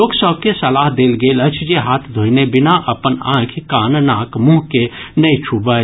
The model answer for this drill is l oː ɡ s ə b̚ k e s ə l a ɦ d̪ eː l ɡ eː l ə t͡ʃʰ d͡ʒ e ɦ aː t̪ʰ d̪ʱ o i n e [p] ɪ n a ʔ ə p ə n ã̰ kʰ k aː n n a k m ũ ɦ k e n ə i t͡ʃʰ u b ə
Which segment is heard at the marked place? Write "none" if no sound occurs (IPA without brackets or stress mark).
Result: b